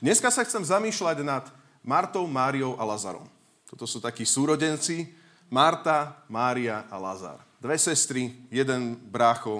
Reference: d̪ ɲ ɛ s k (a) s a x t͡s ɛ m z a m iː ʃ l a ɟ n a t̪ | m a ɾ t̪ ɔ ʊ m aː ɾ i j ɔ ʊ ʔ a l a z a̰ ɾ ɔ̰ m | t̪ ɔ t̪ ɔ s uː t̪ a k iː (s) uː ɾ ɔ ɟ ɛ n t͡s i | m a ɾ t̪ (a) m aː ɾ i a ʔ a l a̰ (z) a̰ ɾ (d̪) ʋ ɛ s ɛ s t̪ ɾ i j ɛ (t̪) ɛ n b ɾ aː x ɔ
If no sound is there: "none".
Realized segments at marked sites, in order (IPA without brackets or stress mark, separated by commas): a, s, a, z, d̪, d̪